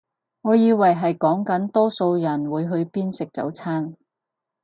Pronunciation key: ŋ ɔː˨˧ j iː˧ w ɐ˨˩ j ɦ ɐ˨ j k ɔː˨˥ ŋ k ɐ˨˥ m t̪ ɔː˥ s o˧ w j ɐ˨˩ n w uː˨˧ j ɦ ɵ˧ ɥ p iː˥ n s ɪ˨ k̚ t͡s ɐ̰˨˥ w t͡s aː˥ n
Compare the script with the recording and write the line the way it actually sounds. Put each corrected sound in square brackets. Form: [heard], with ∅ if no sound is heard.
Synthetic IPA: ŋ ɔː˨˧ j iː˧ w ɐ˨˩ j ɦ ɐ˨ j k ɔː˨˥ ŋ k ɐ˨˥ [n] t̪ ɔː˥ s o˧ w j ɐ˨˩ n w uː˨˧ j ɦ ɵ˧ ɥ p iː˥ n s ɪ˨ k̚ t͡s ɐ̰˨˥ w [t͡sʰ] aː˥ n